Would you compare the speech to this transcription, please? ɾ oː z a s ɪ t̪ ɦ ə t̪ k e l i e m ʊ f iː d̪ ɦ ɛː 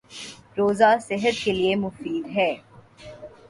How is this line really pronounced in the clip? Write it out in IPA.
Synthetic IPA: ɾ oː z a s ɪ ɦ ə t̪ k e l i e m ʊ f iː d̪ ɦ ɛː